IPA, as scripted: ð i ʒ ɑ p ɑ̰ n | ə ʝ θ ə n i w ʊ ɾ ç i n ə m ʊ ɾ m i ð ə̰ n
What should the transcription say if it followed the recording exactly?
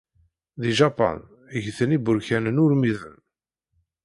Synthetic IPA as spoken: ð i ʒ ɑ p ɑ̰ n | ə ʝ θ ə n i b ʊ ɾ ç æ n ə n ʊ ɾ m i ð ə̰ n